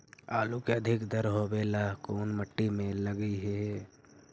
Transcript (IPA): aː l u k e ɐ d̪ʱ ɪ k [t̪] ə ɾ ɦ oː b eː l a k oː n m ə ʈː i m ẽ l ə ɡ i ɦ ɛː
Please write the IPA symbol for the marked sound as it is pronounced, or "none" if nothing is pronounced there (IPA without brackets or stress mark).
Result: d̪